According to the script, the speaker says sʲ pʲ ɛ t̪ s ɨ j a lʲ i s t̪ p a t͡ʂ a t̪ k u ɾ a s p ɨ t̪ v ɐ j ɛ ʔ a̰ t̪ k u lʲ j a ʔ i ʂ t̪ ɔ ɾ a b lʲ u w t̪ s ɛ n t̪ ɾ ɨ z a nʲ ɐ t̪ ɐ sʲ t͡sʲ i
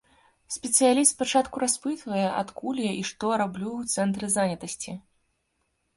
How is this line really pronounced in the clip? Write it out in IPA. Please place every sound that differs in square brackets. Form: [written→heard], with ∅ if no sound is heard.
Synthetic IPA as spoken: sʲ pʲ ɛ t̪ s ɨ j a lʲ i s t̪ p a t͡ʂ a t̪ k u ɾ a s p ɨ t̪ v ɐ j ɛ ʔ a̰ t̪ k u lʲ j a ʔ i ʂ t̪ ɔ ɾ a b lʲ u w t̪ s ɛ n t̪ ɾ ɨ z a nʲ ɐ t̪ ɐ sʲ t͡sʲ i